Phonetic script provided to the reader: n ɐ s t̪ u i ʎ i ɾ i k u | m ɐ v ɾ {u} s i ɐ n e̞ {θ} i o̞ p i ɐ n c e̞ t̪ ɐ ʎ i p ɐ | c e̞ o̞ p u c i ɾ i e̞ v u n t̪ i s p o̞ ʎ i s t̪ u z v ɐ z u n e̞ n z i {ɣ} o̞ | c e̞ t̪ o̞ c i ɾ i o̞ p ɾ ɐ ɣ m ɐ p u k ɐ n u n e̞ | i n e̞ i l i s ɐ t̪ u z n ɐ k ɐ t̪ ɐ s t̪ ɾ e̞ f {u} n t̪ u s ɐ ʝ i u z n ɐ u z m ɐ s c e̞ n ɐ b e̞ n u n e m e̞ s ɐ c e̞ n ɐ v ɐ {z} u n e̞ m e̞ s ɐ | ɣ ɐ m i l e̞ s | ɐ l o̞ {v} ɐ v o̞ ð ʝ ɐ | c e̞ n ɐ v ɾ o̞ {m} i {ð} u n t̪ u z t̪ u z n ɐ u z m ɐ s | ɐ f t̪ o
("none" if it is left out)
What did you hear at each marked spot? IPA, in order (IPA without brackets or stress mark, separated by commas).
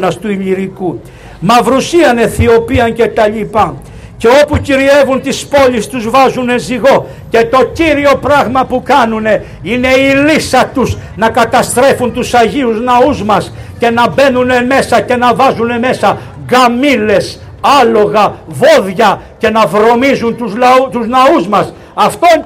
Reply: u, θ, ɣ, u, z, ɣ, m, z